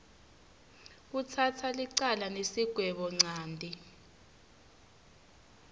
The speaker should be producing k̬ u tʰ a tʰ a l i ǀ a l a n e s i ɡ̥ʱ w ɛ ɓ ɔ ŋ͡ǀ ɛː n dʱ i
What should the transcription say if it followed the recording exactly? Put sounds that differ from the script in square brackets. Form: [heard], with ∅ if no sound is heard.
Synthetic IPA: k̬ u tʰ a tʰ a l i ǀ a l a n e s i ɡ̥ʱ w ɛ ɓ ɔ ŋ͡ǀ [aː] n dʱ i